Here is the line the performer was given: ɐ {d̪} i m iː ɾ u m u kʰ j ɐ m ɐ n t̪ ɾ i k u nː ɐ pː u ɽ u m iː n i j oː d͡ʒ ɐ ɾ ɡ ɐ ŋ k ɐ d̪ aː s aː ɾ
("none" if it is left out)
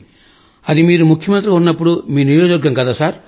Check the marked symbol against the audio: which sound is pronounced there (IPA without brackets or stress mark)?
d̪